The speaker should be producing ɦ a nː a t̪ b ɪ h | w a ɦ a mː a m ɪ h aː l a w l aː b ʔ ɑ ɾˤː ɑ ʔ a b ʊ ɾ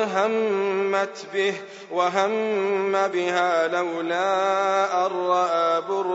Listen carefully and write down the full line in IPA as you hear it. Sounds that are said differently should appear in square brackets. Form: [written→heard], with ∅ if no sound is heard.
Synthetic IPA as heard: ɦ a [nː→mː] a t̪ b ɪ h | w a ɦ a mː a [m→b] ɪ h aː l a w l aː [b→∅] ʔ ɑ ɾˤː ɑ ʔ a b ʊ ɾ